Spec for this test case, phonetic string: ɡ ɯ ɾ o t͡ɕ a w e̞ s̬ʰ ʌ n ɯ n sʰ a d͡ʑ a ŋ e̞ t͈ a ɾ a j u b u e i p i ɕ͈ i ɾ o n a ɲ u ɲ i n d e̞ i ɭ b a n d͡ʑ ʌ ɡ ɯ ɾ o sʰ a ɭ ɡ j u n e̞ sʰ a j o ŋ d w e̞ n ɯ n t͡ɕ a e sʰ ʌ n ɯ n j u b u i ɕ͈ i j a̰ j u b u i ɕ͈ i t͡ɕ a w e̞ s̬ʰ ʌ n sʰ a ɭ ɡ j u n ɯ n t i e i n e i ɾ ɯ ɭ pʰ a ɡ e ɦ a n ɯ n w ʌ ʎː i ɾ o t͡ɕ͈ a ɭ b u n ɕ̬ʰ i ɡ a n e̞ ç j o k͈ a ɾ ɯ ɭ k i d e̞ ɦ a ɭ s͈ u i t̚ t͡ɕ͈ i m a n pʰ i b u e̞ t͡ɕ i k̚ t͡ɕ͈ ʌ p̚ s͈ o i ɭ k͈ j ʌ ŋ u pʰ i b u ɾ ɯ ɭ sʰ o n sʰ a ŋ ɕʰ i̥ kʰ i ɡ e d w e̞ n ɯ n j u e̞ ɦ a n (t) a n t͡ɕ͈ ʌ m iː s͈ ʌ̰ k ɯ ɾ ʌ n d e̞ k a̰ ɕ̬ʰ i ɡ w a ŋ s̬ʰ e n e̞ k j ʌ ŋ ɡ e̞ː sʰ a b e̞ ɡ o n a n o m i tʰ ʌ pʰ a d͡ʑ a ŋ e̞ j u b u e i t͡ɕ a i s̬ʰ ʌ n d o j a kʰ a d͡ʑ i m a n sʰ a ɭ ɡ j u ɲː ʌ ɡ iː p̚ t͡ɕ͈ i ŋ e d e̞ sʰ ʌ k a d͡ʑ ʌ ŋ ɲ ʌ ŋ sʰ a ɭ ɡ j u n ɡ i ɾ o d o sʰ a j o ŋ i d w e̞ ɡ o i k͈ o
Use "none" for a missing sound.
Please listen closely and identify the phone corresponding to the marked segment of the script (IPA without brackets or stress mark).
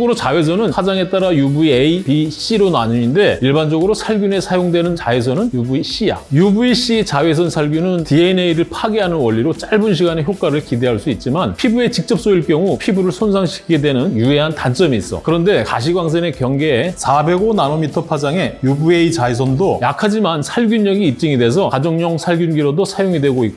t